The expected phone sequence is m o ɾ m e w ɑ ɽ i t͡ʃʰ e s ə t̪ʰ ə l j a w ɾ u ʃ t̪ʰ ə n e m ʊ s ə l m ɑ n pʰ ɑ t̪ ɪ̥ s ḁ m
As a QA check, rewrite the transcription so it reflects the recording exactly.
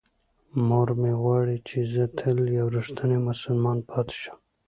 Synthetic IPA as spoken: m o ɾ m e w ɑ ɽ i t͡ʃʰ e z ə t̪ʰ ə l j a w ɾ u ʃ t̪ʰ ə n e m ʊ s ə l m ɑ n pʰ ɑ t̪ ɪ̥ ʃ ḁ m